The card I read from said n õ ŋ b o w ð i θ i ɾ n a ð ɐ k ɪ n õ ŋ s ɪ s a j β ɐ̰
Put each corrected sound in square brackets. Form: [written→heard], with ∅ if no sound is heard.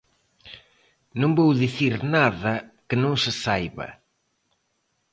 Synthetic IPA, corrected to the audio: n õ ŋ b o w ð i θ i ɾ n a ð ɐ k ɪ n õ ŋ s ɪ s a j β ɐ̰